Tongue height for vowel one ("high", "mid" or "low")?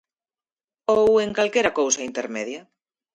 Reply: mid